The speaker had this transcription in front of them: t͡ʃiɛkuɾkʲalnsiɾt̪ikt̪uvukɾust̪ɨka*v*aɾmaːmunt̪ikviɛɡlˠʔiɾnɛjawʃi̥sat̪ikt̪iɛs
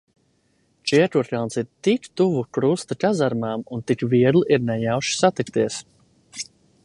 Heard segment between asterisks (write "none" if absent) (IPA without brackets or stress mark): z